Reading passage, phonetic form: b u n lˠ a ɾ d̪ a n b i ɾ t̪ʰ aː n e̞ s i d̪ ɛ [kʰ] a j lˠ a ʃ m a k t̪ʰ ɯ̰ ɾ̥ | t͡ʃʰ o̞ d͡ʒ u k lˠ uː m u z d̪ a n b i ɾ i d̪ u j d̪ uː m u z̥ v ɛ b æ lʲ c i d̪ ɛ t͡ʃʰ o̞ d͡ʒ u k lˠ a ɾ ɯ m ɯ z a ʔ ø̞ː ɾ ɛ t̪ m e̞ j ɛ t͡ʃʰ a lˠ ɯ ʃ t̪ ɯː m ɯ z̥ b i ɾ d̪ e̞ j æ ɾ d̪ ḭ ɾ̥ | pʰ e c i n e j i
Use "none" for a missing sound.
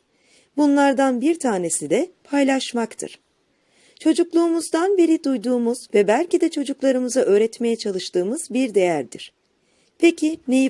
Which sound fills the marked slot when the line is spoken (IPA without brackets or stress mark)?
pʰ